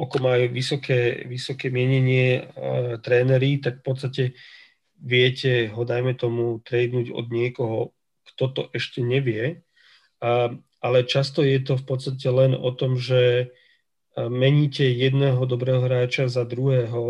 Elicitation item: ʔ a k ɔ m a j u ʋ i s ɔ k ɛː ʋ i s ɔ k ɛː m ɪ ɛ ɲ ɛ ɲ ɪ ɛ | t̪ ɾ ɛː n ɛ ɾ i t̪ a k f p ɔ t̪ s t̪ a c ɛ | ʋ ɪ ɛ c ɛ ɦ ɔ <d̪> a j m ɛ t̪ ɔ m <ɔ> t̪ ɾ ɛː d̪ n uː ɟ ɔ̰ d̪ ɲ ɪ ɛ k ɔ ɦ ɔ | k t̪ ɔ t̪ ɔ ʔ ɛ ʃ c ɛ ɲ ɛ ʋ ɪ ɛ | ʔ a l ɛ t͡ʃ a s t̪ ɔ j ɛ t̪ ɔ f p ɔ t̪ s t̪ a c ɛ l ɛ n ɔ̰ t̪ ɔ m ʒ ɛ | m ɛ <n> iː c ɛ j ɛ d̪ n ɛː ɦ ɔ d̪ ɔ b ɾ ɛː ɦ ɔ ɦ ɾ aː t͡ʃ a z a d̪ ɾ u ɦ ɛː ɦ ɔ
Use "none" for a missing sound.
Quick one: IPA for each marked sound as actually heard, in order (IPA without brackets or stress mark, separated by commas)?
d̪, u, ɲ